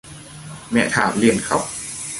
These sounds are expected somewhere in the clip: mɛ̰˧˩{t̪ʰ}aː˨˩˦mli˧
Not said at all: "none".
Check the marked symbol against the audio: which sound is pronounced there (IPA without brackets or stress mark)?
t̪ʰ